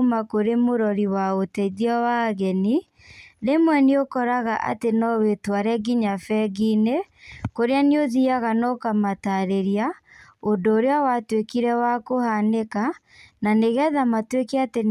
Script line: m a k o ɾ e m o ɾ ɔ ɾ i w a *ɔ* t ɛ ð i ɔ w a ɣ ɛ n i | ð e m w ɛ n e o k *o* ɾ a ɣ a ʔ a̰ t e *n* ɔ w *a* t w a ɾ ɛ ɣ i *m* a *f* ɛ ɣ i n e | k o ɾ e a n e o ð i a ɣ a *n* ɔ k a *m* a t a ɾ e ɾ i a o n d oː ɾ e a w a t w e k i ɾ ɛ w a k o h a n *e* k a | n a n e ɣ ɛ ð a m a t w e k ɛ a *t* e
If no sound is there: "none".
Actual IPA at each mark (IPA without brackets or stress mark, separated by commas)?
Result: o, ɔ, n, e, ɲ, f, n, m, e, t